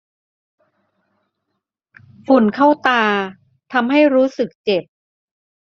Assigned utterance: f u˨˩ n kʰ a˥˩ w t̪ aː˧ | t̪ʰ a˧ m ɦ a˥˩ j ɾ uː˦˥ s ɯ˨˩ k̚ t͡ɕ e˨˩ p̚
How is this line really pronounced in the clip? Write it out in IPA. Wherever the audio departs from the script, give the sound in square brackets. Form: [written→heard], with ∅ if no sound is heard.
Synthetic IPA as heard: f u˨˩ n kʰ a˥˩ w t̪ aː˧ | t̪ʰ a˧ m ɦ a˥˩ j ɾ uː˦˥ s ɯ˨˩ k̚ t͡ɕ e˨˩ p̚